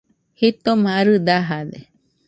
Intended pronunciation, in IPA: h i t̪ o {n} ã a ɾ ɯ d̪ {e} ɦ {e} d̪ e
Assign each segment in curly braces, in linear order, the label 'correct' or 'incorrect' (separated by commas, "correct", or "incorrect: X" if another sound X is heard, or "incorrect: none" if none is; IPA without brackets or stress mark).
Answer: incorrect: m, incorrect: a, incorrect: a